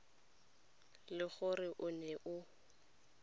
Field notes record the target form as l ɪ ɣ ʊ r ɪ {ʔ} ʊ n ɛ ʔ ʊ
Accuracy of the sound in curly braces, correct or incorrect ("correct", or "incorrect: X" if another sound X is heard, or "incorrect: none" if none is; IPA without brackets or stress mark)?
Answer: correct